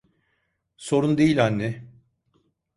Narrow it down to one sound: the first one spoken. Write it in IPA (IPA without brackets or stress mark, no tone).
s